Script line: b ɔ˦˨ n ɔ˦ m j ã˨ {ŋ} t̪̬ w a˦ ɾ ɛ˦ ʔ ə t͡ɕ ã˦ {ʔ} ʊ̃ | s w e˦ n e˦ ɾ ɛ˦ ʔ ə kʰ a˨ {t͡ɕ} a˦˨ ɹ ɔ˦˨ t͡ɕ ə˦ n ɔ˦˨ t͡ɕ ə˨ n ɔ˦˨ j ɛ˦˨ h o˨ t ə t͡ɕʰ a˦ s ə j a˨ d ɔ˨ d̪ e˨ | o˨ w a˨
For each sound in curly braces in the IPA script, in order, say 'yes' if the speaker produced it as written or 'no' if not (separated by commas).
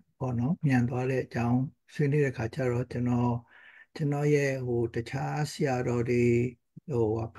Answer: no, no, yes